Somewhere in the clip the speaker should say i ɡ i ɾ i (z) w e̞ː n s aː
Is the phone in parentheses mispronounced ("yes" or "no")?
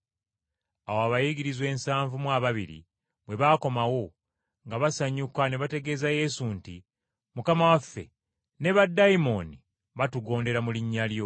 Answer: no